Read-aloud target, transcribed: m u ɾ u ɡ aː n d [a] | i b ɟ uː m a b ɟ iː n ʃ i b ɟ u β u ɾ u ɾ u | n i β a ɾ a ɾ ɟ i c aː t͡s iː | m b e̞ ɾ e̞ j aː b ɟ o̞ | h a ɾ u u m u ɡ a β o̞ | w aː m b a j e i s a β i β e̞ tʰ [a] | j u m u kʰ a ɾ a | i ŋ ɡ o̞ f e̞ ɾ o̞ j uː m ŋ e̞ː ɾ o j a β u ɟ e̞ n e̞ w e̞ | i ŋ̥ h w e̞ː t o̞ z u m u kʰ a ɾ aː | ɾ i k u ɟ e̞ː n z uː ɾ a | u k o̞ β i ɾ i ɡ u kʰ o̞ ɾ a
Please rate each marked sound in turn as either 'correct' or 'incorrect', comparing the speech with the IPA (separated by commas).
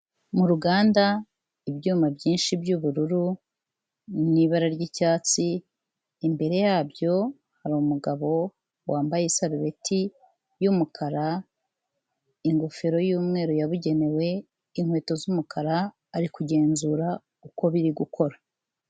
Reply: correct, incorrect